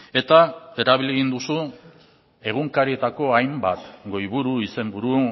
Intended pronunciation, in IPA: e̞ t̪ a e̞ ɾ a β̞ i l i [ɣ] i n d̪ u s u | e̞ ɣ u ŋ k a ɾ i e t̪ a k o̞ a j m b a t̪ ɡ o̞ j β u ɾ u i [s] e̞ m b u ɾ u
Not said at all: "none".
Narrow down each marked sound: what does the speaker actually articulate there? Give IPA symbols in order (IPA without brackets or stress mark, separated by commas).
ɣ, s